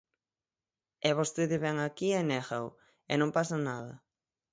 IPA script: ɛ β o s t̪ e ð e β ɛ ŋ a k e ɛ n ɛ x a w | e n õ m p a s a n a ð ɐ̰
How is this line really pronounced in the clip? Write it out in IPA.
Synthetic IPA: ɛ β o s t̪ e ð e β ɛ ŋ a k i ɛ n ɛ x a w | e n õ m p a s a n a ð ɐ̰